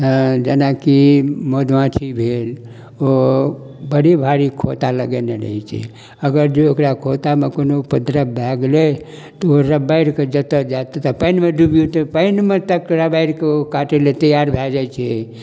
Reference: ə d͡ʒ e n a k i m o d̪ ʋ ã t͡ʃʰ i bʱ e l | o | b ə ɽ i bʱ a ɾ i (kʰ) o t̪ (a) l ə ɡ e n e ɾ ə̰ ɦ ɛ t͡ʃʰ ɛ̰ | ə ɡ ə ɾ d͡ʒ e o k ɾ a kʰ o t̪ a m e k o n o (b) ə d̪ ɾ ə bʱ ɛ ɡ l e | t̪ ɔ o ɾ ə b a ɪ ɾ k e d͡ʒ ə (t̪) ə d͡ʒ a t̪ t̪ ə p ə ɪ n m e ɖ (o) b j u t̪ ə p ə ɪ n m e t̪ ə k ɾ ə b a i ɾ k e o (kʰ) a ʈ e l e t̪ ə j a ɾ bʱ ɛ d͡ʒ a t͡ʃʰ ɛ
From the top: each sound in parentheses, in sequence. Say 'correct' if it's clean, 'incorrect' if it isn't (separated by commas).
correct, correct, incorrect, correct, incorrect, incorrect